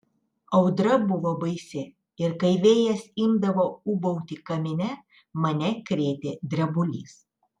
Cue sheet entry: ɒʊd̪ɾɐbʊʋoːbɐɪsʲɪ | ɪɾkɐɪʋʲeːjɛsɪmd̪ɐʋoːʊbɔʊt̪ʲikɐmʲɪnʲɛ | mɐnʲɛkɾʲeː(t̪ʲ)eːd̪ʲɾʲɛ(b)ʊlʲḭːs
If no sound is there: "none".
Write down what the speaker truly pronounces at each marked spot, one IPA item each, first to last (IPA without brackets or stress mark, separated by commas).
t̪ʲ, b